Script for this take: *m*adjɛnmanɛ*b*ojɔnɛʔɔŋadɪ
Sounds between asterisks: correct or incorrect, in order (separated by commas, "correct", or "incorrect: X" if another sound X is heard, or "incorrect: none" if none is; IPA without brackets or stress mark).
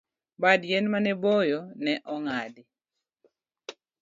incorrect: b, correct